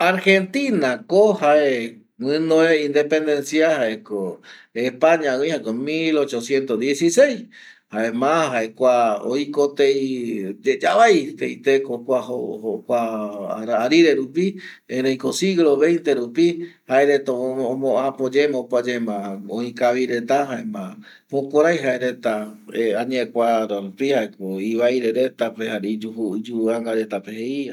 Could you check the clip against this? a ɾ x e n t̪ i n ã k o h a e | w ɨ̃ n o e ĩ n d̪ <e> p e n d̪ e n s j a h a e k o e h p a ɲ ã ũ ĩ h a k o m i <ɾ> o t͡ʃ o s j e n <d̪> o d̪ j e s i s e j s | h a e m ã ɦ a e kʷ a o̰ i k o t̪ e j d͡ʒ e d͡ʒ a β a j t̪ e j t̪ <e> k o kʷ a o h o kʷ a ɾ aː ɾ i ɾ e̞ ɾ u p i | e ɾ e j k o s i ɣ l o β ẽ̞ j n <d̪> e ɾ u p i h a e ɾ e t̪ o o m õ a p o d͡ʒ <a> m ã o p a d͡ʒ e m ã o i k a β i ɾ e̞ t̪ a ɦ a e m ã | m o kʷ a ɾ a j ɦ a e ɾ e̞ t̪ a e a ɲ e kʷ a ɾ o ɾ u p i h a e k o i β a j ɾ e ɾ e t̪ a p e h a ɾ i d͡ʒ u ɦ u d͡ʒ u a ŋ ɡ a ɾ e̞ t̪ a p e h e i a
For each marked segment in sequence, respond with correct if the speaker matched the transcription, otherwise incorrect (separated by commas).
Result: correct, incorrect, incorrect, correct, incorrect, incorrect